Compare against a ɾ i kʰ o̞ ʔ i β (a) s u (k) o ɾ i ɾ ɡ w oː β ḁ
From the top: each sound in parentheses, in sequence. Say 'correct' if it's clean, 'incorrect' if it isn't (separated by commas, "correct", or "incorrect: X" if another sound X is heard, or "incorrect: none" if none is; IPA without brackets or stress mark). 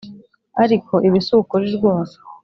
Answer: incorrect: i, correct